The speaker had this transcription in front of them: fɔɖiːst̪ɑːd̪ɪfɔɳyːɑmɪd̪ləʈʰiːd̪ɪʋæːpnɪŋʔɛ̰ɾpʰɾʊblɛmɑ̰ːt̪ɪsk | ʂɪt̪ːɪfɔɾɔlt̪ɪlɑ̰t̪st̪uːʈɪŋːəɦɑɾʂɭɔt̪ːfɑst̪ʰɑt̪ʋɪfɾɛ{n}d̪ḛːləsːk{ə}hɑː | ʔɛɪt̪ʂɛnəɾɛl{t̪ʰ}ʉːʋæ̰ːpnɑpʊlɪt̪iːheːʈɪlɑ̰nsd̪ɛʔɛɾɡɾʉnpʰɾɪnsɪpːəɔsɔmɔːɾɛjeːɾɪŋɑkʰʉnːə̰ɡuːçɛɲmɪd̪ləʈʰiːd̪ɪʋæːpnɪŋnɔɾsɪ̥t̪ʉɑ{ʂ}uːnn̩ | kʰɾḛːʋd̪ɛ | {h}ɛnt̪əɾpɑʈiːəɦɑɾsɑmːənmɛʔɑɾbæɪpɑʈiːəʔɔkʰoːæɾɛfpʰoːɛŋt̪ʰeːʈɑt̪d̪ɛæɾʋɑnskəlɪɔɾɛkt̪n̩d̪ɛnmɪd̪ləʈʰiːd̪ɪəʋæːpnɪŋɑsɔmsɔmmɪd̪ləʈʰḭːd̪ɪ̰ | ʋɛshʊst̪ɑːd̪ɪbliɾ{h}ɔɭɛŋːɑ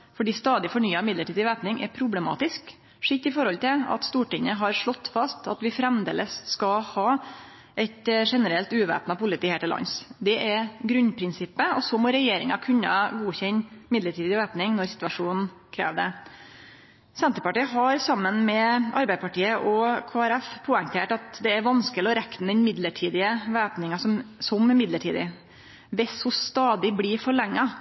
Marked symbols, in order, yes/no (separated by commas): no, no, no, yes, no, no